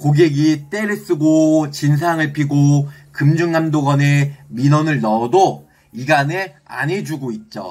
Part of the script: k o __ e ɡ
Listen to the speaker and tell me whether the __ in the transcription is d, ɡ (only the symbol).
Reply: ɡ